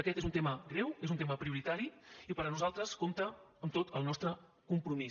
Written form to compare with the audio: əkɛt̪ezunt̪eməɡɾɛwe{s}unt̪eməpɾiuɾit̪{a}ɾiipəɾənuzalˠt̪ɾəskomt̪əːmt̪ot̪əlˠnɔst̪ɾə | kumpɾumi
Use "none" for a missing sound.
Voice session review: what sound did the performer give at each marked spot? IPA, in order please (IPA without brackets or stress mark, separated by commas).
z, a